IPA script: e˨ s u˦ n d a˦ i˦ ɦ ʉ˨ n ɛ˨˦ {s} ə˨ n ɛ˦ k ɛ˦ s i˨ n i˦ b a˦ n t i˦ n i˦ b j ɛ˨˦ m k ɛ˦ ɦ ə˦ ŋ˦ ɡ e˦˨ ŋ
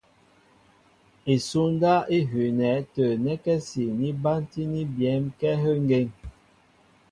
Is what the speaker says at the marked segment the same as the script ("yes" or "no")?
no